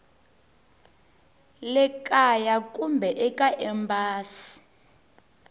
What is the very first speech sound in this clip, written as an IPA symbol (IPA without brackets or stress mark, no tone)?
l